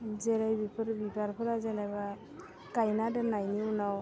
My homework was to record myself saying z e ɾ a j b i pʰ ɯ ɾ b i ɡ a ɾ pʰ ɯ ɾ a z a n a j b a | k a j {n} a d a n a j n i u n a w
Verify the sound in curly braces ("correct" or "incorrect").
correct